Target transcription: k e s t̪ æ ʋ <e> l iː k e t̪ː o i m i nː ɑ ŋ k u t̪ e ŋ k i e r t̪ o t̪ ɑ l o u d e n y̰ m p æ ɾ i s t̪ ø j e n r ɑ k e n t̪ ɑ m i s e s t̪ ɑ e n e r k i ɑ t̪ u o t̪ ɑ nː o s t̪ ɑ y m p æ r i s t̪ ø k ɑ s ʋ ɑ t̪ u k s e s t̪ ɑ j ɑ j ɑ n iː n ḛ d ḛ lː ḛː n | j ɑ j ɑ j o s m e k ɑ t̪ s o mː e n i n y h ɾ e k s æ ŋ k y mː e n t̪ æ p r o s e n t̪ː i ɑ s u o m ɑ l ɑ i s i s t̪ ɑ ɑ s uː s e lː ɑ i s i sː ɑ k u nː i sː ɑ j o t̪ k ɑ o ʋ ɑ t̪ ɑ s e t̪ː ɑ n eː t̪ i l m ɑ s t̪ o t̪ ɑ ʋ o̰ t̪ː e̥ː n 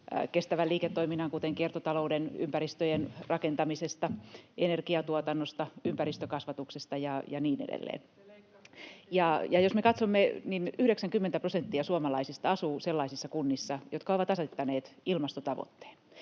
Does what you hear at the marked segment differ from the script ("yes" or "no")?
yes